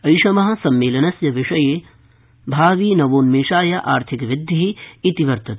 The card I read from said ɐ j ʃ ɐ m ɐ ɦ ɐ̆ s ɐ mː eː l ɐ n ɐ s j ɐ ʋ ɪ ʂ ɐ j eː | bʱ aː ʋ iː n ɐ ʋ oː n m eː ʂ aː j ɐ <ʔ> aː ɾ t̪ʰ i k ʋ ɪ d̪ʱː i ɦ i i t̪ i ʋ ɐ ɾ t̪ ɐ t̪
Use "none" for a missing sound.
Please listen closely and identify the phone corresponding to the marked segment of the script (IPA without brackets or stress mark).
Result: ʔ